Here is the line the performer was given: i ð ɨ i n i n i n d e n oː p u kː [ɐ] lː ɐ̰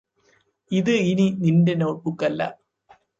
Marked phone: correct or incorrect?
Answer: correct